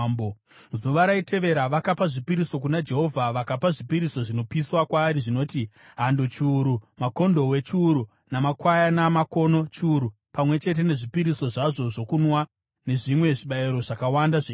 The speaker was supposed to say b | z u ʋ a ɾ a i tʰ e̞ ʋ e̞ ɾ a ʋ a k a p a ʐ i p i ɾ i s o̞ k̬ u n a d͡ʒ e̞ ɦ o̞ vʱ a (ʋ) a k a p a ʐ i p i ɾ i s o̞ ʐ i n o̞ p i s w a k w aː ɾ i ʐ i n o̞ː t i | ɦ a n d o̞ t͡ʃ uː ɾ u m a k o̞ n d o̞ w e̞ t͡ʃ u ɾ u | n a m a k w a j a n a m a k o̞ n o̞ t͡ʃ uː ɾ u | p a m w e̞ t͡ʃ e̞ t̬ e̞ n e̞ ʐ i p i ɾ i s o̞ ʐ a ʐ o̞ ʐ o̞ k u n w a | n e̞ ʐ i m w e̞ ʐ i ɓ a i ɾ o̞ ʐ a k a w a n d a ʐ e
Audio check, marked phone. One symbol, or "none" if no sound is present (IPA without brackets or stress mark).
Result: ʋ